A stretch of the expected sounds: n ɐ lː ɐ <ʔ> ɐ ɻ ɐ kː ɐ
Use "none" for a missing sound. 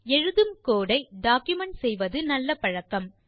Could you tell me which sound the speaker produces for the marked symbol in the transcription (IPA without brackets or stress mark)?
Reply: p